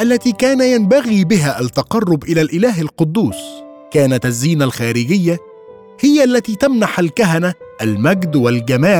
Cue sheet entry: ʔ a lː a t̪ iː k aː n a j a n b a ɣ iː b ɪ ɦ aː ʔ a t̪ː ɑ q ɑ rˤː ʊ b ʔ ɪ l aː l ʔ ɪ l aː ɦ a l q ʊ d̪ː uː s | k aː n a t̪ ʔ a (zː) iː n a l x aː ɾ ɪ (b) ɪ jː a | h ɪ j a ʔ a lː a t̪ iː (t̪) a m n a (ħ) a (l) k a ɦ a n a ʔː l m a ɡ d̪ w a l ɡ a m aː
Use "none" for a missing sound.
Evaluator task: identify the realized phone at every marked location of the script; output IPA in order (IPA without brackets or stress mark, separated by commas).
zː, ɡ, t̪, ħ, l